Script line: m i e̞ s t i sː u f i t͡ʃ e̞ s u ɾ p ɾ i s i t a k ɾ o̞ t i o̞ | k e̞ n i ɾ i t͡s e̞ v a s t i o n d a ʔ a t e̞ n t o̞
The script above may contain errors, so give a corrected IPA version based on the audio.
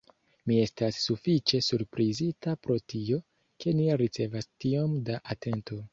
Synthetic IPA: m i e̞ s t a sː u f i t͡ʃ e̞ s u ɾ p ɾ i z i t a p ɾ o̞ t i o̞ | k e̞ n i ɾ i t͡s e̞ v a s t i o m d a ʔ a t e̞ n t o̞